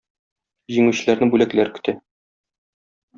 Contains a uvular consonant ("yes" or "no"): no